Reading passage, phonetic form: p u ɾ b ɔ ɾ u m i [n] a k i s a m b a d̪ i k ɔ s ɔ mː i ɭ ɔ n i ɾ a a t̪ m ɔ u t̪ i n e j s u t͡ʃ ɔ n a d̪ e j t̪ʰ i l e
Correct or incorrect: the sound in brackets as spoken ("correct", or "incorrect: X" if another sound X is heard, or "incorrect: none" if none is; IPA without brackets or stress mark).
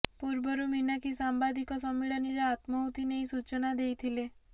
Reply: correct